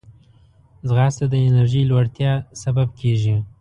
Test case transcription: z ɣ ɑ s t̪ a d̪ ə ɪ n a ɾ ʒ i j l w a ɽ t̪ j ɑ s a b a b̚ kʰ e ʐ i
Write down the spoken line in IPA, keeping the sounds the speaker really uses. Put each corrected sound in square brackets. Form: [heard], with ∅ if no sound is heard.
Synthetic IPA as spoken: z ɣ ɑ s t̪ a d̪ ə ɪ n a ɾ ʒ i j l w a ɽ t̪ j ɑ s a b a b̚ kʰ e [ʒ] i